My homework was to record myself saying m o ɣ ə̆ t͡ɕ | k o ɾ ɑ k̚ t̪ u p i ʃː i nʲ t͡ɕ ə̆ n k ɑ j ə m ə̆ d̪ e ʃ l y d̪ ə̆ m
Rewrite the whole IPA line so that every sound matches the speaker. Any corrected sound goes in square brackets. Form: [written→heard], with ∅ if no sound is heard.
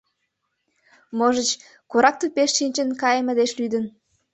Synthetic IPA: m o [ɣ→ʒ] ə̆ t͡ɕ | k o ɾ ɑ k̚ t̪ u p [i→e] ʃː i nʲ t͡ɕ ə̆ n k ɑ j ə m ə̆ d̪ e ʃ l y d̪ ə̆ [m→n]